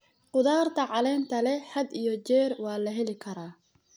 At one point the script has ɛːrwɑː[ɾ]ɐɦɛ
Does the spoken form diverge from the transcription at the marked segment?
yes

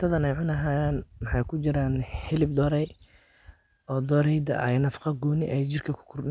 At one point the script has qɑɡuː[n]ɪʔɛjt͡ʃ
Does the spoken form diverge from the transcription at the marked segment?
no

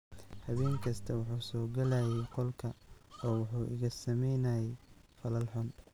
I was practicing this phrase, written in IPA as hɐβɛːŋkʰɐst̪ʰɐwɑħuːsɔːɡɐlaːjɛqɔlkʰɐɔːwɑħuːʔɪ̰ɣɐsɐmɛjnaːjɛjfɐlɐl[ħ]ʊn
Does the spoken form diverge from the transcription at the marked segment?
no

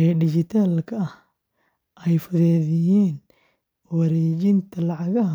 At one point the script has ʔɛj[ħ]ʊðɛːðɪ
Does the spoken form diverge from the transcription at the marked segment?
yes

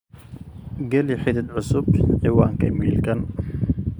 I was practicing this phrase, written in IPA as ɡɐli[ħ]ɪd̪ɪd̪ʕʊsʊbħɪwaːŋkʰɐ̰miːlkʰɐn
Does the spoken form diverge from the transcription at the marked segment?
no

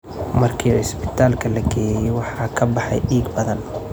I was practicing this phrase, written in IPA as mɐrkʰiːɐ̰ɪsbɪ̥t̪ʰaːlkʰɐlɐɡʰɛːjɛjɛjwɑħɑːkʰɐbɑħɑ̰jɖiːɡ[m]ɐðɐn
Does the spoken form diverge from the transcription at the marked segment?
yes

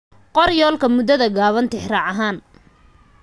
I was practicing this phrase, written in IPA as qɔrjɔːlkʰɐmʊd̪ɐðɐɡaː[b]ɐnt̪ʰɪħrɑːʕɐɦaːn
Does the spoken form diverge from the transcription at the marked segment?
yes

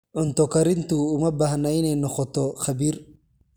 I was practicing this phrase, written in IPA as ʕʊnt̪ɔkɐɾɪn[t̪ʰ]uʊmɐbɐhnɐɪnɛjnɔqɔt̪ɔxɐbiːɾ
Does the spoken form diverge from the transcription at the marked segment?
yes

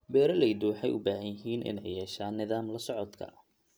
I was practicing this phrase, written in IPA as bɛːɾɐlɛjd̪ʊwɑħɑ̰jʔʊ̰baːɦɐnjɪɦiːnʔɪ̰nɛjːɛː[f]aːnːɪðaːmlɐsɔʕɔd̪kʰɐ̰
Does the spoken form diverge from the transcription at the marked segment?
yes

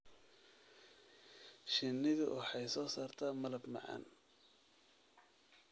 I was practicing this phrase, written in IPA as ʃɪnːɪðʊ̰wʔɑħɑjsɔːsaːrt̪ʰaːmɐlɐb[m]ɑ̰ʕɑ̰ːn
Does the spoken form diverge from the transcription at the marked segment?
no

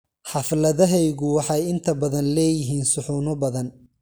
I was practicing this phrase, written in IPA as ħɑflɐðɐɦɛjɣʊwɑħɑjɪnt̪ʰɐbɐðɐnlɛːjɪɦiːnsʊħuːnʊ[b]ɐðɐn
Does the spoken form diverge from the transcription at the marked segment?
no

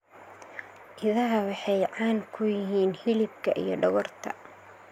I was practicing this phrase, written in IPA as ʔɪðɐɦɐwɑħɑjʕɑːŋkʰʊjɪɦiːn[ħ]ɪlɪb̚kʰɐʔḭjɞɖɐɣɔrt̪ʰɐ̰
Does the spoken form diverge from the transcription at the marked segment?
yes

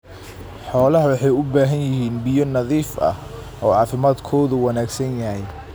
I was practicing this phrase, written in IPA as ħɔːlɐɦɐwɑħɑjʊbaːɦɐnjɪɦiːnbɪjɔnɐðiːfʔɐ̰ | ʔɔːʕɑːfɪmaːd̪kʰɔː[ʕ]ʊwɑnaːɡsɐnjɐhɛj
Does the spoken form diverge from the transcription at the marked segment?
yes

